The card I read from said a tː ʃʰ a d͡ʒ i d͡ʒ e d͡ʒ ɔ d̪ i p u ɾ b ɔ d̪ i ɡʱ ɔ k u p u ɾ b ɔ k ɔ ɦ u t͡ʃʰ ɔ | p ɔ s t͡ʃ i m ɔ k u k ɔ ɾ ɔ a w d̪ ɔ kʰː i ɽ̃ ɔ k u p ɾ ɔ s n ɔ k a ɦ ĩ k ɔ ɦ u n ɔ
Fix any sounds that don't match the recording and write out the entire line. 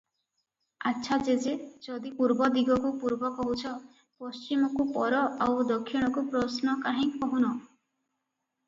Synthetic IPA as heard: a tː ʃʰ a d͡ʒ e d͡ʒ e d͡ʒ ɔ d̪ i p u ɾ b ɔ d̪ i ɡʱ ɔ k u p u ɾ b ɔ k ɔ ɦ u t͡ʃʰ ɔ | p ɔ s t͡ʃ i m ɔ k u p ɔ ɾ ɔ a w d̪ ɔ kʰː i ɽ̃ ɔ k u p ɾ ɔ s n ɔ k a ɦ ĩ k ɔ ɦ u n ɔ